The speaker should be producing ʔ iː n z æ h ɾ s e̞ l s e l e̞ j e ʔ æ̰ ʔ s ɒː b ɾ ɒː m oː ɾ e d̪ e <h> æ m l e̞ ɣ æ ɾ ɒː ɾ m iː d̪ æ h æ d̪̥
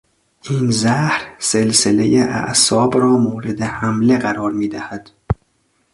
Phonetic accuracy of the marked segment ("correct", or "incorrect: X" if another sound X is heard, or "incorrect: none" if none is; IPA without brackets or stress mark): correct